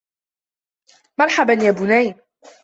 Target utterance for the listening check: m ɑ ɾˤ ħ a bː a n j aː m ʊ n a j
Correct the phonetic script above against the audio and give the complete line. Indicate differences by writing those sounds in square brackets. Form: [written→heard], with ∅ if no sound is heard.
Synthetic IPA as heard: m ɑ ɾˤ ħ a [bː→b] a n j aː [m→b] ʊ n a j